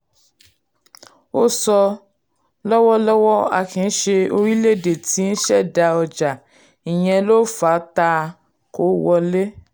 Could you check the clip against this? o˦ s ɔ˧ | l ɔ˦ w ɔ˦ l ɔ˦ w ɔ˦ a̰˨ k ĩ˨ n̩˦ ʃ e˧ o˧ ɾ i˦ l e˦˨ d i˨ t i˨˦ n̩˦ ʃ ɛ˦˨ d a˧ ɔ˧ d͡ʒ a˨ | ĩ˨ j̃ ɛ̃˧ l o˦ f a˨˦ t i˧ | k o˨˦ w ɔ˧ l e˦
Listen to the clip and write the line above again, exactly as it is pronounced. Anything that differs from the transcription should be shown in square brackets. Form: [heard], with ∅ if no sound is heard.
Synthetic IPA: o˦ s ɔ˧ | l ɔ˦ w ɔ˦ l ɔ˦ w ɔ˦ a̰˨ k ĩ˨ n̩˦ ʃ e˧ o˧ ɾ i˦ l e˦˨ d [e˨] t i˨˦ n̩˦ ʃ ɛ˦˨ d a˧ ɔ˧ d͡ʒ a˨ | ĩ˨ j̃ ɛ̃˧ l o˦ f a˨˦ t [a˧] | k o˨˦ w ɔ˧ l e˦